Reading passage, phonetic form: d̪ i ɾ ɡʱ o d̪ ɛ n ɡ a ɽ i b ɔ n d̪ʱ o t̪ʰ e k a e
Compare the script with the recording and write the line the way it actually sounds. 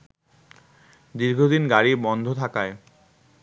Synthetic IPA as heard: d̪ i ɾ ɡʱ o d̪ i n ɡ a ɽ i b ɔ n d̪ʱ o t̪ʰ a k a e